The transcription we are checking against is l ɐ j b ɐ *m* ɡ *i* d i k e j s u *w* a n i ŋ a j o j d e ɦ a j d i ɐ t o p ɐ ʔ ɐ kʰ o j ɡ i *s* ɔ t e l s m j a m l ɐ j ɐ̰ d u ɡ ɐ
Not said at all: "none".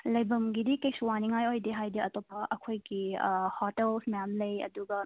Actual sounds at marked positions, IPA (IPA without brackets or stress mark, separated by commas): m, i, w, h